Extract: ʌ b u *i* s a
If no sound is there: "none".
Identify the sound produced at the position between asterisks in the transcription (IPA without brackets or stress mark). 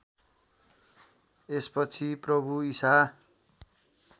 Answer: i